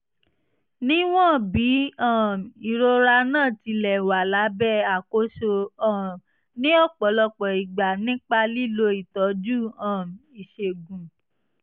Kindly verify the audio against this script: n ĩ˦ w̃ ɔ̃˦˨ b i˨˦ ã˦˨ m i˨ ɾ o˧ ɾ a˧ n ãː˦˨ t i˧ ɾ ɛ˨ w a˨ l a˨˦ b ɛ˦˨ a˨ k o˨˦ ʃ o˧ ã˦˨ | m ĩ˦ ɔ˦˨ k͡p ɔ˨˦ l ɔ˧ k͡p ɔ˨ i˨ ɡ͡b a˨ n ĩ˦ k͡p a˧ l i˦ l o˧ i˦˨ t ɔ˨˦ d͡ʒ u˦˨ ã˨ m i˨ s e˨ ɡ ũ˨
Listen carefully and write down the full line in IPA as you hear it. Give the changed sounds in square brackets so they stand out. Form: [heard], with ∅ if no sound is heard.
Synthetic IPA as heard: n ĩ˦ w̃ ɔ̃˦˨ b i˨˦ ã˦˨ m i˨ ɾ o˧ ɾ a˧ n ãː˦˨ t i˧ [l] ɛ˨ w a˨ l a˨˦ b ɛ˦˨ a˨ k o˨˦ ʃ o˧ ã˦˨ | [n] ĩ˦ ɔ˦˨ k͡p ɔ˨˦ l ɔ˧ k͡p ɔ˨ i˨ ɡ͡b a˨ n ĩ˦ k͡p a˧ l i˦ l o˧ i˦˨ t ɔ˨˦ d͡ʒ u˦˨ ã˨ m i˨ [ʃ] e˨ ɡ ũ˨